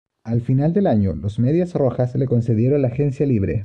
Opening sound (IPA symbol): a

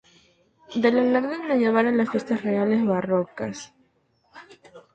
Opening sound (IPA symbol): d̪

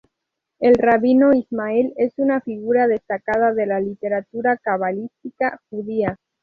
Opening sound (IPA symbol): e̞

